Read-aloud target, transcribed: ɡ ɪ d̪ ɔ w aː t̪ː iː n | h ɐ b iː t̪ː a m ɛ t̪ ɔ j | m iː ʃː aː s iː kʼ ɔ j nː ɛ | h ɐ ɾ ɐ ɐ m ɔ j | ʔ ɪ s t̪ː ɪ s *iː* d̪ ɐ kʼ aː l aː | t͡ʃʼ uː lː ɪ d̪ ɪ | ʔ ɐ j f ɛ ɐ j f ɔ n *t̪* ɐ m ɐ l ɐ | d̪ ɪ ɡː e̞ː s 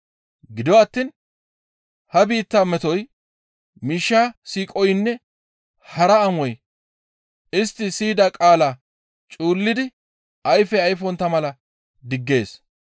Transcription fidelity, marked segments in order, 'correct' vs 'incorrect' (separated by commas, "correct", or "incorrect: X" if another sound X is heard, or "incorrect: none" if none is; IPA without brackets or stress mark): correct, correct